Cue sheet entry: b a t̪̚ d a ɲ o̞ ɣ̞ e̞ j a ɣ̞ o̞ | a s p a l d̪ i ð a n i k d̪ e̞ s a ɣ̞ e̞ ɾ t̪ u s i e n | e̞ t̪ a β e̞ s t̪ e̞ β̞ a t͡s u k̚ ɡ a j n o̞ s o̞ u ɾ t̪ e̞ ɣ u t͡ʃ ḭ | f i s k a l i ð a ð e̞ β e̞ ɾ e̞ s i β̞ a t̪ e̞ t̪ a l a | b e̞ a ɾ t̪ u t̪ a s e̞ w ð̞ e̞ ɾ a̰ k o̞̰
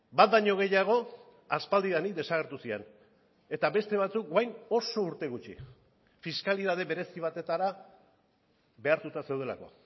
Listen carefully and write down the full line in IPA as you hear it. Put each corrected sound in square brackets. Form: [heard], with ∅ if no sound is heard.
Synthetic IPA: b a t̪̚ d a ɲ o̞ ɣ̞ e̞ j a ɣ̞ o̞ | a s p a l d̪ i ð a n i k d̪ e̞ s a ɣ̞ e̞ ɾ t̪ u s i e n | e̞ t̪ a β e̞ s t̪ e̞ β̞ a t͡s u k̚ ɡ a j n o̞ s o̞ u ɾ t̪ e̞ ɣ u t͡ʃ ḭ | f i s k a l i ð a ð e̞ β e̞ ɾ e̞ s i β̞ a t̪ e̞ t̪ a [ɾ] a | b e̞ a ɾ t̪ u t̪ a s e̞ w ð̞ e̞ [l] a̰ k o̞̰